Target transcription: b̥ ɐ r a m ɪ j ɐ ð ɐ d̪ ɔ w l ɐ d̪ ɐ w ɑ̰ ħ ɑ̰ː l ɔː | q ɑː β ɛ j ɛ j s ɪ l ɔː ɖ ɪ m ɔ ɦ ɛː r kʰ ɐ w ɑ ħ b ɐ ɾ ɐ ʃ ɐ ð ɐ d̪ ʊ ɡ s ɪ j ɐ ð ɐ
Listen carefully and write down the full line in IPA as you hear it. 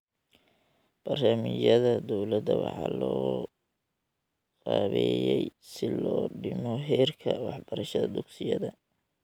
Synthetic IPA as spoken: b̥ ɐ r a m ɪ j ɐ ð ɐ d̪ ɔ w l ɐ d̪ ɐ w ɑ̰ ħ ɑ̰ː l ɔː | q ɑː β ɛ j ɛ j s ɪ l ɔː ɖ ɪ m ɔ ɦ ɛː r kʰ ɐ w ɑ ħ b ɐ ɾ ɐ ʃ ɐ ð ɐ d̪ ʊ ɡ s ɪ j ɐ ð ɐ